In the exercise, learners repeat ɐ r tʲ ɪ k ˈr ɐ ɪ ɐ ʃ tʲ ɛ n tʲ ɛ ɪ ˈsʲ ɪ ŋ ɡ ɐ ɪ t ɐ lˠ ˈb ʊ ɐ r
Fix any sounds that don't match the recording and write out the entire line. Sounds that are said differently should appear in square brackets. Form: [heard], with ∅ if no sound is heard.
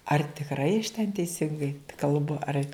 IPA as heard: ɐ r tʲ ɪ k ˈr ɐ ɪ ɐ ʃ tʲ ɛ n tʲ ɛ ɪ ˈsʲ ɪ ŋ ɡ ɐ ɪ [k] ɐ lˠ ˈb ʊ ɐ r

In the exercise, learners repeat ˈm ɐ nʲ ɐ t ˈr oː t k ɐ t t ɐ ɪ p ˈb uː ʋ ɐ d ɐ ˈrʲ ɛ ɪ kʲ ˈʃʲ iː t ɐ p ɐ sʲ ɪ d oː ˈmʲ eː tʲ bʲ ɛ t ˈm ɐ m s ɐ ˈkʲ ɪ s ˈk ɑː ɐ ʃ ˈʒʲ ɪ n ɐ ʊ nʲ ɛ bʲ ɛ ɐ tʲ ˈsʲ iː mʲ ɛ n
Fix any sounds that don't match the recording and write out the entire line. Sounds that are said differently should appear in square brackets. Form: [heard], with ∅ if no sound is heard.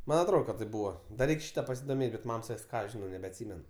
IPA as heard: ˈm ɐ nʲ ɐ t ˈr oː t k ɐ t t ɐ ɪ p ˈb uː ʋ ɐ d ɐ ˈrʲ ɛ ɪ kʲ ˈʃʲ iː t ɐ p ɐ sʲ ɪ d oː ˈmʲ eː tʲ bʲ ɛ t ˈm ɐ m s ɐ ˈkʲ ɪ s ˈk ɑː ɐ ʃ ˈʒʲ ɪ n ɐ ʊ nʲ ɛ bʲ ɛ ɐ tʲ ˈsʲ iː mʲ ɛ n

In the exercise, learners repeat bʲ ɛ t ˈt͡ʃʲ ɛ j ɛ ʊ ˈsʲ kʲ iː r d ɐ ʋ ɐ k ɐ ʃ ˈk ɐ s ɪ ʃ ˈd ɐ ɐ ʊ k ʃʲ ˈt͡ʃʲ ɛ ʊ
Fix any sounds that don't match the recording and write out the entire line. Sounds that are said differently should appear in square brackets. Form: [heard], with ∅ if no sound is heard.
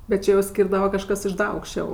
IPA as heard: bʲ ɛ t ˈt͡ʃʲ ɛ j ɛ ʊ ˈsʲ kʲ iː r d ɐ ʋ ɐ k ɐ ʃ ˈk ɐ s ɪ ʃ ˈd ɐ ɐ ʊ k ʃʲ ˈt͡ʃʲ ɛ ʊ

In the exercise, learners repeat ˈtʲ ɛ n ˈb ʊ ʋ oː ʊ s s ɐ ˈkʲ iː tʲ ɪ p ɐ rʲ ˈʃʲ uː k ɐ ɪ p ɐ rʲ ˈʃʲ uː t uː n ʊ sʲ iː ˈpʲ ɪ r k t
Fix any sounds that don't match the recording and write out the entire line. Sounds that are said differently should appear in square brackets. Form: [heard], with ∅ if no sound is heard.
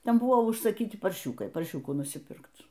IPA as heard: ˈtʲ ɛ n ˈb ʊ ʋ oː ʊ [ʃ] s ɐ ˈkʲ iː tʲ ɪ p ɐ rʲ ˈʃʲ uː k ɐ ɪ p ɐ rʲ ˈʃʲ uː [k] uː n ʊ sʲ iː ˈpʲ ɪ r k t

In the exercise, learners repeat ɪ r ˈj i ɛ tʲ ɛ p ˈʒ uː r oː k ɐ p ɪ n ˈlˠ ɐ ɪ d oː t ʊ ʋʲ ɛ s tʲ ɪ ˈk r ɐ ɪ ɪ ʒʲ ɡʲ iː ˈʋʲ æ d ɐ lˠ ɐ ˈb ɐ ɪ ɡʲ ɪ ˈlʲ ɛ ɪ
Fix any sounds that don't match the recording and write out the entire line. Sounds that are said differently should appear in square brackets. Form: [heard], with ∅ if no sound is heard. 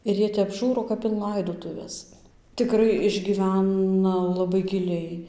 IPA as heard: ɪ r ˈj i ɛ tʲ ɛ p ˈʒ uː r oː k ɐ p ɪ n ˈlˠ ɐ ɪ d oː t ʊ ʋʲ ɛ s tʲ ɪ ˈk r ɐ ɪ ɪ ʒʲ ɡʲ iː ˈʋʲ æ [n] ɐ lˠ ɐ ˈb ɐ ɪ ɡʲ ɪ ˈlʲ ɛ ɪ

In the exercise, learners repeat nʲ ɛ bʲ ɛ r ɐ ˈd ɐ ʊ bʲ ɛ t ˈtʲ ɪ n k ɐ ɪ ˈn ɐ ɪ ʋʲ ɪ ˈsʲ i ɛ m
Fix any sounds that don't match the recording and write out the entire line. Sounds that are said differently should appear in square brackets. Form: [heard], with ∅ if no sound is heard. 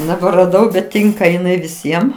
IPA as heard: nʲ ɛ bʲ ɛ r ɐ ˈd ɐ ʊ bʲ ɛ t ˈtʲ ɪ [ŋ] k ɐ ɪ ˈn ɐ ɪ ʋʲ ɪ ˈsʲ i ɛ m

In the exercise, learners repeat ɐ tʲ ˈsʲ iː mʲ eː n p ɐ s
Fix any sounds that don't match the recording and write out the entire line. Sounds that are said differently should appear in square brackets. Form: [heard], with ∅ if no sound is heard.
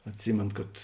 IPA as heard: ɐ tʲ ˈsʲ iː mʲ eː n [k] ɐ [t]

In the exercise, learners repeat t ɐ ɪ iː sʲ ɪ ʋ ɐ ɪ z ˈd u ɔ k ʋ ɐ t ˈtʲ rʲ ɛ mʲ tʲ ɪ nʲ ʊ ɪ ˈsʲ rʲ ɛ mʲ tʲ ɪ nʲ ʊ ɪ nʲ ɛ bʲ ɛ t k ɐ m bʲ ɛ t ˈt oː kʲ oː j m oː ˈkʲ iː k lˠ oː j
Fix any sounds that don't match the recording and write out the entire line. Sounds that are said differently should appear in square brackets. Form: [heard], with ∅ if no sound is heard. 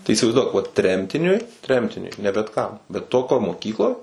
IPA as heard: t ɐ ɪ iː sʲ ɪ ʋ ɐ ɪ z ˈd u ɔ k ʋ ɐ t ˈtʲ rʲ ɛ mʲ tʲ ɪ nʲ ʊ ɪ [ˈtʲ] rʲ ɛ mʲ tʲ ɪ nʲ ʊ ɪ nʲ ɛ bʲ ɛ t k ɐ m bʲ ɛ t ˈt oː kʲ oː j m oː ˈkʲ iː k lˠ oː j

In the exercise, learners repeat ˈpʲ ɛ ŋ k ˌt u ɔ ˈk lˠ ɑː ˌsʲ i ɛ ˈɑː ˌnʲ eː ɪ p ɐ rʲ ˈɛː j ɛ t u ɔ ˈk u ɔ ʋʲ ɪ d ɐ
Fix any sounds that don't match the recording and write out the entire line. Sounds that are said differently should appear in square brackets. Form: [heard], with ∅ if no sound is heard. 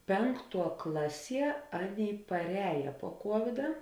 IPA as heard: ˈpʲ ɛ ŋ k ˌt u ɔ ˈk lˠ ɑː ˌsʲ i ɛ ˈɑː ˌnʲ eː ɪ p ɐ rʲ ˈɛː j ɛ [p] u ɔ ˈk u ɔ ʋʲ ɪ d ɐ

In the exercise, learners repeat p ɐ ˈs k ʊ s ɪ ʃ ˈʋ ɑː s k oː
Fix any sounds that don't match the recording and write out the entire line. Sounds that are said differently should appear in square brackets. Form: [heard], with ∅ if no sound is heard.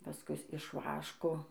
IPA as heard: p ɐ ˈs k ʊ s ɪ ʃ ˈʋ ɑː [ʃ] k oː

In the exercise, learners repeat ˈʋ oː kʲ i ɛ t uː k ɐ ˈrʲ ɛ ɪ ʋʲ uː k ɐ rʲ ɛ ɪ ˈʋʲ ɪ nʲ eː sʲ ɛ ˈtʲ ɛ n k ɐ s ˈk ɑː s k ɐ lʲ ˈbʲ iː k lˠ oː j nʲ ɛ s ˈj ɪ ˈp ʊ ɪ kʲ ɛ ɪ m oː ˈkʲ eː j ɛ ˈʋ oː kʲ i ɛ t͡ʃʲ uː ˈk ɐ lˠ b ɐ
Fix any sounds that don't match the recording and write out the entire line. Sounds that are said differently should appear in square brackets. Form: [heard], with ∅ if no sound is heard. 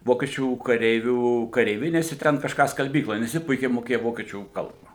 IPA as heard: ˈʋ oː kʲ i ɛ [t͡ʃʲ] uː k ɐ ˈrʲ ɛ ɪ ʋʲ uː k ɐ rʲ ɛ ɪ ˈʋʲ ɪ nʲ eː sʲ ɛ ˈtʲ ɛ n k ɐ [ʃ] ˈk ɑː s k ɐ lʲ ˈbʲ iː k lˠ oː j nʲ ɛ s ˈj ɪ ˈp ʊ ɪ kʲ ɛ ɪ m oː ˈkʲ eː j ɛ ˈʋ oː kʲ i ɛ t͡ʃʲ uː ˈk ɐ lˠ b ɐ

